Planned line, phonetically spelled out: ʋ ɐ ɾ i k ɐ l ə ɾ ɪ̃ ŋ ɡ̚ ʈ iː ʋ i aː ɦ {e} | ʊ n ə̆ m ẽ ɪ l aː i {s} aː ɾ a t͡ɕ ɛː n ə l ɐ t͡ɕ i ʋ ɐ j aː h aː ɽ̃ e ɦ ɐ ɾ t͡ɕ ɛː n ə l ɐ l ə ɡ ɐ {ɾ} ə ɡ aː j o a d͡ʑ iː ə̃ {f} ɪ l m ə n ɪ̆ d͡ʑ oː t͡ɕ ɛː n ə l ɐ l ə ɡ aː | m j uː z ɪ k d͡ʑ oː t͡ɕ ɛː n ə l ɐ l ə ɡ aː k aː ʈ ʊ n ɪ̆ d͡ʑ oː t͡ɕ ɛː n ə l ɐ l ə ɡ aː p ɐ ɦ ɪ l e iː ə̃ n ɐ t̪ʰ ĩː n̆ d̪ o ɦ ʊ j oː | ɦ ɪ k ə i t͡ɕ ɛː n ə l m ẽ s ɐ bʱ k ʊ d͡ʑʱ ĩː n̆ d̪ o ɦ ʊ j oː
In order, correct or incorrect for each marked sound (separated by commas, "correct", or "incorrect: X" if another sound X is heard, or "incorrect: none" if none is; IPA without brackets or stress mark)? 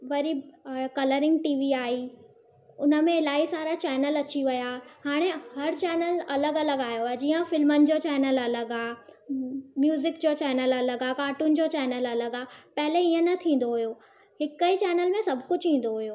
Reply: incorrect: i, correct, incorrect: l, correct